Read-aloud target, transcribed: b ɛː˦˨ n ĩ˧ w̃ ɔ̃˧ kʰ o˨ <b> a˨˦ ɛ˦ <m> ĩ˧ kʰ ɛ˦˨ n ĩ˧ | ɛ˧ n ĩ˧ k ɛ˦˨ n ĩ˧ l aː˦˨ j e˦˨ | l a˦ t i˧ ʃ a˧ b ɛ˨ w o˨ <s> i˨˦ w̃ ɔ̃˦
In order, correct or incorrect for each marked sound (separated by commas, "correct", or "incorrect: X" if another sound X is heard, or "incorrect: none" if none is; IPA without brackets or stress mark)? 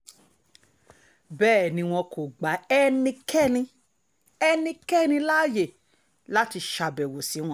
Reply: incorrect: ɡ͡b, incorrect: n, correct